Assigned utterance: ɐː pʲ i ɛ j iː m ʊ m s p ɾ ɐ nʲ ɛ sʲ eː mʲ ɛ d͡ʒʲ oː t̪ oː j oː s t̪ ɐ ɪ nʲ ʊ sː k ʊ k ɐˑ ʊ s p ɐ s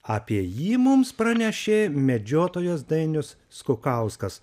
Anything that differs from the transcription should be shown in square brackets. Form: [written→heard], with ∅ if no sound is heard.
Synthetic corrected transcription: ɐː pʲ i ɛ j iː m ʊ m s p ɾ ɐ nʲ ɛ [sʲ→ʃʲ] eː mʲ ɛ d͡ʒʲ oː t̪ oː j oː s [t̪→d̪] ɐ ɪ nʲ ʊ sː k ʊ k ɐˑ ʊ s [p→k] ɐ s